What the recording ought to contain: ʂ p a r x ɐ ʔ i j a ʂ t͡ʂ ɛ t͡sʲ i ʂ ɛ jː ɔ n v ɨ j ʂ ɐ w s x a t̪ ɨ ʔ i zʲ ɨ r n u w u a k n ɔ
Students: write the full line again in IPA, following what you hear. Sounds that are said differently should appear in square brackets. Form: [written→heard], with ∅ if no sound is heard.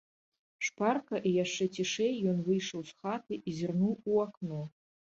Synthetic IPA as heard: ʂ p a r [x→k] ɐ ʔ i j a ʂ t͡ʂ ɛ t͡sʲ i ʂ ɛ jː ɔ n v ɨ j ʂ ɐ w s x a t̪ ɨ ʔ i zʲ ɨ r n u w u a k n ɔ